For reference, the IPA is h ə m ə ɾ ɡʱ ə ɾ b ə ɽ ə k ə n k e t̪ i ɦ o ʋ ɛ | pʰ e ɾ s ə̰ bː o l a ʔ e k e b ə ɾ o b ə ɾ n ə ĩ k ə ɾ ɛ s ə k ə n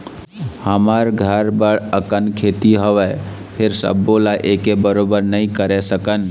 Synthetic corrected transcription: h ə m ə ɾ ɡʱ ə ɾ b ə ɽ ə k ə n kʰ e t̪ i ɦ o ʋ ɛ | pʰ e ɾ s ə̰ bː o l a ʔ e k e b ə ɾ o b ə ɾ n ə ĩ k ə ɾ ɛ s ə k ə n

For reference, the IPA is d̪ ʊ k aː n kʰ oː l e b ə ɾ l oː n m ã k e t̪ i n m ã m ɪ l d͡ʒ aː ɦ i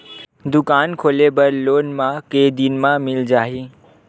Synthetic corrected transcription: d̪ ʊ k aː n kʰ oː l e b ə ɾ l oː n m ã k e d̪ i n m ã m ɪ l d͡ʒ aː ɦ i

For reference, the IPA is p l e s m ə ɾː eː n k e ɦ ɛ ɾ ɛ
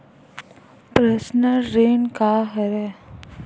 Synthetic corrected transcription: p ɾ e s n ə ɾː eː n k a ɦ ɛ ɾ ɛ

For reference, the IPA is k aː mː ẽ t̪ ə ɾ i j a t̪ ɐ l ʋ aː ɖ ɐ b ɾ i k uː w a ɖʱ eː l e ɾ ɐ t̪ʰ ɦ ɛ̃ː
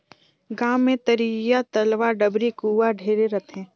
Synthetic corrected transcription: ɡ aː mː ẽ t̪ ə ɾ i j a t̪ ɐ l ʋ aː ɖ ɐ b ɾ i k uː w a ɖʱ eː ɾ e ɾ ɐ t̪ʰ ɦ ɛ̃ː

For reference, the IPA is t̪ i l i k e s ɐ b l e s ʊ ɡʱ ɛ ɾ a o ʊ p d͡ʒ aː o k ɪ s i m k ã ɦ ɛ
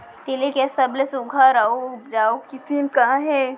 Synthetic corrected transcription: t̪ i l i k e s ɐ b l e s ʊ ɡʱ a ɾ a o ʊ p d͡ʒ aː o k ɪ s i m k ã ɦ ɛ

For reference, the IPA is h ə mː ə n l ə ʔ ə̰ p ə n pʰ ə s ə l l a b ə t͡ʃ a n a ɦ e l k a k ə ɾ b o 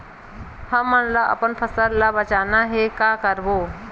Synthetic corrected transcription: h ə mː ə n l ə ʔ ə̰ p ə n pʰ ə s ə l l a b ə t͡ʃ a n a ɦ e k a k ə ɾ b o

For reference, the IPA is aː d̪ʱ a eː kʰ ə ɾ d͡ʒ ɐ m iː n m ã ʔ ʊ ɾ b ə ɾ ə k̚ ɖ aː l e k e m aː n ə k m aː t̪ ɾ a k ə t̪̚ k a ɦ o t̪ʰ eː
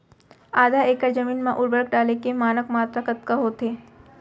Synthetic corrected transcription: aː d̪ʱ a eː k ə ɾ d͡ʒ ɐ m iː n m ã ʔ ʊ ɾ b ə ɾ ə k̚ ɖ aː l e k e m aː n ə k m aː t̪ ɾ a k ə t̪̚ k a ɦ o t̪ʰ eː

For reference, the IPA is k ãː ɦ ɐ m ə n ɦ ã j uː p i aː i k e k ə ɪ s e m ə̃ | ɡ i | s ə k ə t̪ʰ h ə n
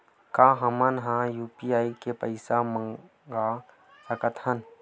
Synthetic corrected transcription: k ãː ɦ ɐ m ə n ɦ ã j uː p i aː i k e p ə ɪ s a m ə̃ | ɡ a | s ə k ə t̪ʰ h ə n

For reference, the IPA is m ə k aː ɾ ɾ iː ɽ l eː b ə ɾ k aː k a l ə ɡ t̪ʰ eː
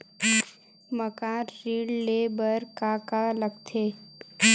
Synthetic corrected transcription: m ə k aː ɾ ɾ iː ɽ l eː b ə ɾ k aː k a l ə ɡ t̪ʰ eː

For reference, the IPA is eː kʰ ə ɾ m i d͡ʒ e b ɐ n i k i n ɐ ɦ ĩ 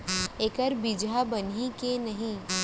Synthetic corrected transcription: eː k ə ɾ b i d͡ʒ a b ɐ n i k e n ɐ ɦ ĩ

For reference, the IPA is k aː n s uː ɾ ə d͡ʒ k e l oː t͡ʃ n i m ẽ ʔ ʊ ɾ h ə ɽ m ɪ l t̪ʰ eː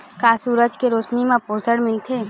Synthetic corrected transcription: k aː s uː ɾ ə d͡ʒ k e ɾ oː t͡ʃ n i m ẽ p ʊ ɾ s ə ɽ m ɪ l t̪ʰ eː

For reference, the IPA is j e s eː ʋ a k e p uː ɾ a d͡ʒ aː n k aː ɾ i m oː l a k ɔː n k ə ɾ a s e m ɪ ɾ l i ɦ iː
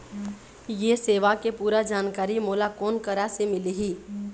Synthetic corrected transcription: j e s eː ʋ a k e p uː ɾ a d͡ʒ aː n k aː ɾ i m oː l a k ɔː n k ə ɾ a s e m ɪ l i ɦ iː

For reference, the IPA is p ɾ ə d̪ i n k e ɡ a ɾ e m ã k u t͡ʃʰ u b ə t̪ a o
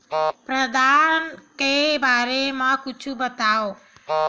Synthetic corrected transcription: p ɾ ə d̪ a n k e b a ɾ e m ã k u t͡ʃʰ u b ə t̪ a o

